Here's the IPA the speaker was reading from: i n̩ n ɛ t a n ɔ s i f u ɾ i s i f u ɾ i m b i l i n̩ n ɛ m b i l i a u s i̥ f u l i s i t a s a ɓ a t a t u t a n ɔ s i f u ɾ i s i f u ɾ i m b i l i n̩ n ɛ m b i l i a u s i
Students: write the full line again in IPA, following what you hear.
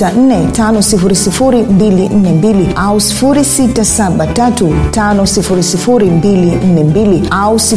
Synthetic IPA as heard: a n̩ n ɛ t a n ɔ s i f u ɾ i s i f u ɾ i m b i l i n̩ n ɛ m b i l i a u s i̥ f u ɾ i s i t a s a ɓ a t a t u t a n ɔ s i f u ɾ i s i f u ɾ i m b i l i n̩ n ɛ m b i l i a u s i